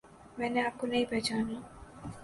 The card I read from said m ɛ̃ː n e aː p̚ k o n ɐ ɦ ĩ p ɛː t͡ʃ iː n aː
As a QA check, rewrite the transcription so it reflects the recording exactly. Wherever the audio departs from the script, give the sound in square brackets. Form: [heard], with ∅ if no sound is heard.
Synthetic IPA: m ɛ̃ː n e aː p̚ k o n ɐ ɦ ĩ p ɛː t͡ʃ [aː] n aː